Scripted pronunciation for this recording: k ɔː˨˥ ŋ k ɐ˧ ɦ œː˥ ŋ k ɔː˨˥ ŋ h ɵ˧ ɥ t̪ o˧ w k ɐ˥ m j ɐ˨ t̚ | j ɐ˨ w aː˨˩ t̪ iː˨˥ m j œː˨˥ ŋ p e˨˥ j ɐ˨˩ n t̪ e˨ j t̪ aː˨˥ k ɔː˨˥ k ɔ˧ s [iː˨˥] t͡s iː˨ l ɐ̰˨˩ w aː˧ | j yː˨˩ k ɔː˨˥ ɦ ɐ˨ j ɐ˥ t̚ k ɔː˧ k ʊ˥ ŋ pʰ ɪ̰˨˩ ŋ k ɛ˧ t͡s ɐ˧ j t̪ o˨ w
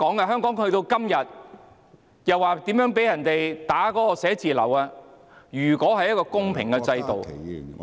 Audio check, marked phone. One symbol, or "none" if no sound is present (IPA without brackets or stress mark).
ɛː˨˥